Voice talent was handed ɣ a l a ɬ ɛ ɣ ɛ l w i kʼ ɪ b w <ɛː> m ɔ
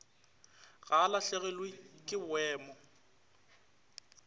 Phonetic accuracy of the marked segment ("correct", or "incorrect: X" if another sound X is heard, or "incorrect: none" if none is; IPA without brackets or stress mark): correct